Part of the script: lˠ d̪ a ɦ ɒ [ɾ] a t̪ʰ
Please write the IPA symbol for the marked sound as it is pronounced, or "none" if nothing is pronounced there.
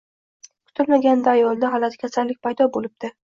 l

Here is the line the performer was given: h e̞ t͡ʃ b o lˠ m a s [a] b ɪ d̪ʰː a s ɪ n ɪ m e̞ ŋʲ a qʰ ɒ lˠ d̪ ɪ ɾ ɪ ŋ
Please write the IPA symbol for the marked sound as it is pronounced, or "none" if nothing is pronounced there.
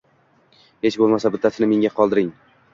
a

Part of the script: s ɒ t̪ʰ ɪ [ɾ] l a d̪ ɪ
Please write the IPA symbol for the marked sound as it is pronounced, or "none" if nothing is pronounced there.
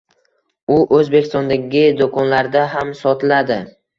none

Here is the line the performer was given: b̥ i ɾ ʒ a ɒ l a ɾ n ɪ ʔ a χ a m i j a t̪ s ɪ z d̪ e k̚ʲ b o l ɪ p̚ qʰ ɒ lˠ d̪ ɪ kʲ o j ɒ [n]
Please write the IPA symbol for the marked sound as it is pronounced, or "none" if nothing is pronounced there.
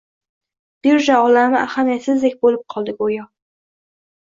none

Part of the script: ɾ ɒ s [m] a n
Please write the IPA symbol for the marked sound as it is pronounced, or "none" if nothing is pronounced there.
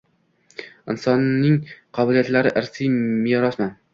m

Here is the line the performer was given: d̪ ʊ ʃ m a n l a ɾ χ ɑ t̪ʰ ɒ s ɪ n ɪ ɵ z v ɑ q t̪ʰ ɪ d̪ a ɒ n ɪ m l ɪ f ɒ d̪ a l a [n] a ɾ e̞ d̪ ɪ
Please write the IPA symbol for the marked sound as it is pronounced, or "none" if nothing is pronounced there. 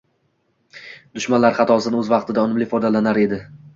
n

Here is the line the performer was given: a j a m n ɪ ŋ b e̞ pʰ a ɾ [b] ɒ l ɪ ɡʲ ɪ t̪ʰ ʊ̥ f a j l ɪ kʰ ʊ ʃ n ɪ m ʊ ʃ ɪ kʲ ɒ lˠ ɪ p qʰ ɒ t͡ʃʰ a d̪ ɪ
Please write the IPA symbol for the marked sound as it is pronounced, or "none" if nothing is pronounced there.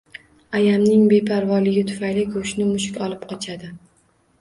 v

